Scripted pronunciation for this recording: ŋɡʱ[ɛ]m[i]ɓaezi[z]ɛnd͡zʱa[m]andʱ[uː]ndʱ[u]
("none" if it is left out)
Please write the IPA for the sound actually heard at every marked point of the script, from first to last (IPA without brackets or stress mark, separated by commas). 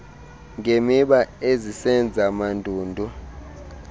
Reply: e, i, s, m, uː, u